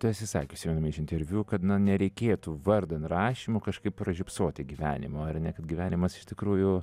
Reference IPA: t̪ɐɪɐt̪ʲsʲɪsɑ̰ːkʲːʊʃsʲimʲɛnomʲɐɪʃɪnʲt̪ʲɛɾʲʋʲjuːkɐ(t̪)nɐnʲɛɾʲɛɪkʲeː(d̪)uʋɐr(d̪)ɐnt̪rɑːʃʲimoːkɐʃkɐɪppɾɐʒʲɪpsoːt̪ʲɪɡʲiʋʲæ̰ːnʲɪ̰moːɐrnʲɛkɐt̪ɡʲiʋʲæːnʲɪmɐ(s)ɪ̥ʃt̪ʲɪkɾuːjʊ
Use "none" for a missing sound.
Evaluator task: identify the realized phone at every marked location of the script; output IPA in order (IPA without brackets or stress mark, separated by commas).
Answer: t̪, t̪, d̪, s